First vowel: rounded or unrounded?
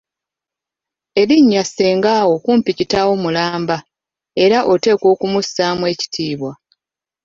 unrounded